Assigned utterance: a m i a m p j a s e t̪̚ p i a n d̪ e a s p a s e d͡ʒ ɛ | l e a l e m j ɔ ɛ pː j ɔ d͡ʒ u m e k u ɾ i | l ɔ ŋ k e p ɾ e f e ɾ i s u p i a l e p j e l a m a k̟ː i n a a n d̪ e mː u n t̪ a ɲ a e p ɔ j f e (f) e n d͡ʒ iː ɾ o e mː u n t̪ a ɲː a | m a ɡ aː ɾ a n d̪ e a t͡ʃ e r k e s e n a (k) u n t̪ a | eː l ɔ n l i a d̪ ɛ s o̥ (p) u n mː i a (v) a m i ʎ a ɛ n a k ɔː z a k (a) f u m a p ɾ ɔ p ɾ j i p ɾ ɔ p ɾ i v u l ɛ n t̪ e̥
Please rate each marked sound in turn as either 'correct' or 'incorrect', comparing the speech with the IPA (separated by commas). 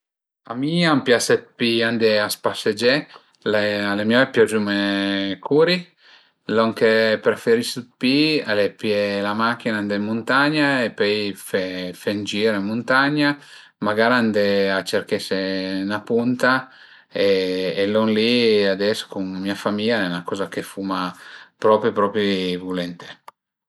correct, incorrect, incorrect, incorrect, incorrect